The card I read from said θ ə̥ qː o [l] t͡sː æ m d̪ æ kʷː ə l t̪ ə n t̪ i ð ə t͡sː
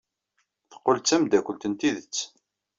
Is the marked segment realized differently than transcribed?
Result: no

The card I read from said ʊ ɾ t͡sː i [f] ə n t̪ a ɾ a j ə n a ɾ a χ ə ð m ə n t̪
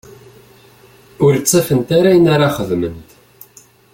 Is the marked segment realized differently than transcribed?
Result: no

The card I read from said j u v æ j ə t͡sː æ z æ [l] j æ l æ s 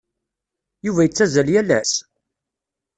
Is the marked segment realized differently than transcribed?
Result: no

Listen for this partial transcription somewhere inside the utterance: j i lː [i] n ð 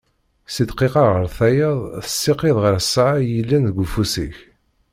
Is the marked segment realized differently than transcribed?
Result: yes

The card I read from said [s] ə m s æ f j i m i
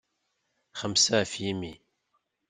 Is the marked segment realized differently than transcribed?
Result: yes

